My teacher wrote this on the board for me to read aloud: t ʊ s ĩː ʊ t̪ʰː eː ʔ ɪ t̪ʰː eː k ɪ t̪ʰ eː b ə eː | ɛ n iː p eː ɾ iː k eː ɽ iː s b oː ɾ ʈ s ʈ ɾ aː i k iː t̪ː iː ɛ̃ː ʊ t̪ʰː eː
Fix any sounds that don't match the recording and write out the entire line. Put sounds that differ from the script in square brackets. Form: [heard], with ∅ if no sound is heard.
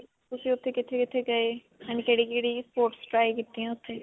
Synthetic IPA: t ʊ s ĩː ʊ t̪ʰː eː [k] ɪ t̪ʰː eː k ɪ t̪ʰ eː [ɡ] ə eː | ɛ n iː [k] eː [ɽ] iː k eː ɽ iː s [p] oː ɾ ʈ s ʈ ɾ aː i k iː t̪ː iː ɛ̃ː ʊ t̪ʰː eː